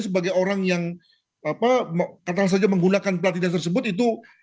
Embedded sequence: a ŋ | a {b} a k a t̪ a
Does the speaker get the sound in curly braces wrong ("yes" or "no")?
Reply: yes